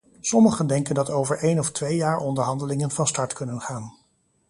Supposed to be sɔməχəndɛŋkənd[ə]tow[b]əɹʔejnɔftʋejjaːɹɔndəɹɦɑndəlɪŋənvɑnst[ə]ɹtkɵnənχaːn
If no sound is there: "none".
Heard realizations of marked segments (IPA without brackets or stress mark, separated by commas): ɑ, v, ɑ